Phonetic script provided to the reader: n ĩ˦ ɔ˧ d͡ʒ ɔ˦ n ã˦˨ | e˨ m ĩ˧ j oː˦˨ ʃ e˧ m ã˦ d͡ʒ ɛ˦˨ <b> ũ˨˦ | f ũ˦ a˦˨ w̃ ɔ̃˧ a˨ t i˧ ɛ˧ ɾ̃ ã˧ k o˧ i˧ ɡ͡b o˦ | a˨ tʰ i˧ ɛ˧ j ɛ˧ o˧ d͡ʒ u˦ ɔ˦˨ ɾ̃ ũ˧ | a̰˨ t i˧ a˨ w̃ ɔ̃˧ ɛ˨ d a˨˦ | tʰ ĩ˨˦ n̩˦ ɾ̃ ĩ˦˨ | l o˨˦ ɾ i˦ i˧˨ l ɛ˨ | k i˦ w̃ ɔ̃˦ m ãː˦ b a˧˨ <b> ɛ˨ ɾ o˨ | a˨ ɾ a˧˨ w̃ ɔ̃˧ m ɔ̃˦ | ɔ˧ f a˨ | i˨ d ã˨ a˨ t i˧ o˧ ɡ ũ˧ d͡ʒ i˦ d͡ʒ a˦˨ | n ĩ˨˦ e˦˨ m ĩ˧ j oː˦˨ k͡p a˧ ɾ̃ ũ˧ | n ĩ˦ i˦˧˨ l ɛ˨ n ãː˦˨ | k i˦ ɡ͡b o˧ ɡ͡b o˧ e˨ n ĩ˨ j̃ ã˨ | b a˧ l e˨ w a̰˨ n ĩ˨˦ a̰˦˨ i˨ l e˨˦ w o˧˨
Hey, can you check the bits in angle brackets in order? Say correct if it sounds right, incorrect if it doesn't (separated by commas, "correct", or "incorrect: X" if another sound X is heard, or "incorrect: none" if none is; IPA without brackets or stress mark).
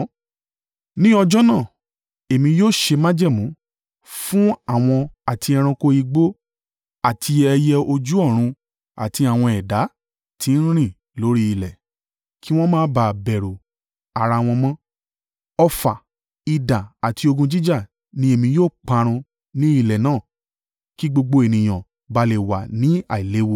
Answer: incorrect: m, correct